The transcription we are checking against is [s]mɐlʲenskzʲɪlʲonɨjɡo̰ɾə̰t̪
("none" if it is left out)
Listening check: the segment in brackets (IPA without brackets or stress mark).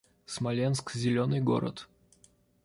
s